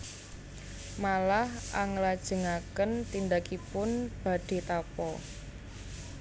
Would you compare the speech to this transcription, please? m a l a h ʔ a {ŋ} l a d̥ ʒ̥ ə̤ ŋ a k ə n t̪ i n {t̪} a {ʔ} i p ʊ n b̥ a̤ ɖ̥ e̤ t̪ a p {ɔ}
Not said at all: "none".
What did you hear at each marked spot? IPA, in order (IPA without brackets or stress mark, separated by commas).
ŋ, d̪, k, ɔ